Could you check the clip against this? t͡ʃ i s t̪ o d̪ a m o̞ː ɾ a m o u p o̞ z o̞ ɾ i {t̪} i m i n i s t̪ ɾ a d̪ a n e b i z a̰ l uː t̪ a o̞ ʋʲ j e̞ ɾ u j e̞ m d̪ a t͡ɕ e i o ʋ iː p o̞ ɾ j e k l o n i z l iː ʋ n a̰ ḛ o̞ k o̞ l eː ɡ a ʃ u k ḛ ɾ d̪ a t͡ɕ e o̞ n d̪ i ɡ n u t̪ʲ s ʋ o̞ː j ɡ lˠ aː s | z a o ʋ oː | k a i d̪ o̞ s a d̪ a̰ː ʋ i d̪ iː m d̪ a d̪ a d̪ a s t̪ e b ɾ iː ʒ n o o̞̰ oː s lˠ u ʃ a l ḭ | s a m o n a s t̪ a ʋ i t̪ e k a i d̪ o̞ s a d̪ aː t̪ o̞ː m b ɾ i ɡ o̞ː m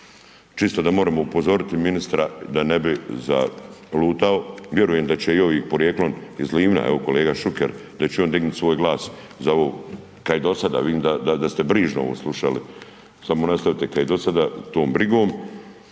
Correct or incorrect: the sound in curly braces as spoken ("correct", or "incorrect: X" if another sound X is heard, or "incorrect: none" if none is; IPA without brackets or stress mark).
correct